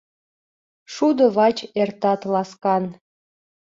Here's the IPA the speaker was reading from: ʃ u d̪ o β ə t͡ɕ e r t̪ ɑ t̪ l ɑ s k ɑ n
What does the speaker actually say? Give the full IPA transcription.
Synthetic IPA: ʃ u d̪ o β ɑ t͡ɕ e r t̪ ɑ t̪ l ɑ s k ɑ n